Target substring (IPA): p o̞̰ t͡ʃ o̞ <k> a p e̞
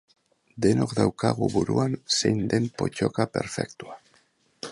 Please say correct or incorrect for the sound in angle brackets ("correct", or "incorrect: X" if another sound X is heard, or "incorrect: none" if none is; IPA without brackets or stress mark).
correct